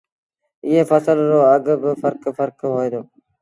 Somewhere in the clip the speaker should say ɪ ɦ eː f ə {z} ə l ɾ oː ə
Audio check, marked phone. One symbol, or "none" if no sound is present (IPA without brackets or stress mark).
s